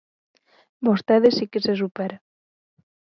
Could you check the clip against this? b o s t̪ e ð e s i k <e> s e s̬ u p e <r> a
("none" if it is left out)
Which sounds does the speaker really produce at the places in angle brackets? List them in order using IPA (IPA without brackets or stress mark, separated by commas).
e, ɾ